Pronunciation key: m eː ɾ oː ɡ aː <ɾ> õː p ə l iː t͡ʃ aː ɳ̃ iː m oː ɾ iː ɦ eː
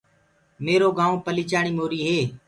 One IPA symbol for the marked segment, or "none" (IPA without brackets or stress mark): none